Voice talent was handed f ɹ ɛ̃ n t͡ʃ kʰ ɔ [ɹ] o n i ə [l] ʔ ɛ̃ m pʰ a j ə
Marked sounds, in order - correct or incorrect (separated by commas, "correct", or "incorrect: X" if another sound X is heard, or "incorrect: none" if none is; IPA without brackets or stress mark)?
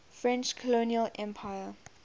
incorrect: l, correct